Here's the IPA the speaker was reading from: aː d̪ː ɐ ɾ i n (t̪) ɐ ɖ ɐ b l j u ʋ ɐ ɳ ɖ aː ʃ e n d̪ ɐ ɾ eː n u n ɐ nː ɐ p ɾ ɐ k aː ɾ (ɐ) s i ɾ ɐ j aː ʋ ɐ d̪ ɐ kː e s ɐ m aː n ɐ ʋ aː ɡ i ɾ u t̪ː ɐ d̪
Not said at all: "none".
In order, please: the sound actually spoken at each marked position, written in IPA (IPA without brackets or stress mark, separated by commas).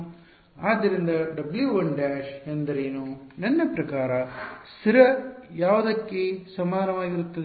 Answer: d̪, ɐ